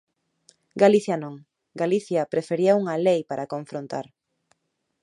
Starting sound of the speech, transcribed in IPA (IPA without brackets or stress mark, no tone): ɡ